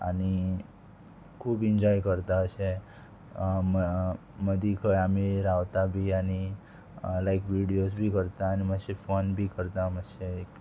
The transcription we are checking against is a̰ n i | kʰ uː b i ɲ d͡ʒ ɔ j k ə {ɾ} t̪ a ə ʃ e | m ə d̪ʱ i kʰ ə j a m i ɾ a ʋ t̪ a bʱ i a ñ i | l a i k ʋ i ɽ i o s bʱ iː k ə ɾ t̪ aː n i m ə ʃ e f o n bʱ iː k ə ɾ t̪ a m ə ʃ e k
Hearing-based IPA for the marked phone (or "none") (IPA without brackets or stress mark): ɾ